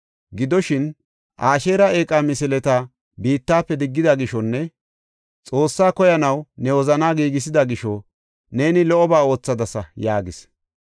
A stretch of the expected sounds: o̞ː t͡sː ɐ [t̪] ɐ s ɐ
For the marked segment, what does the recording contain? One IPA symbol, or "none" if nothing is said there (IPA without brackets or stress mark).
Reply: d̪